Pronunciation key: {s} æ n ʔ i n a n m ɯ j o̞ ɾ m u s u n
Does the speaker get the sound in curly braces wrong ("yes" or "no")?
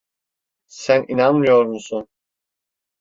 no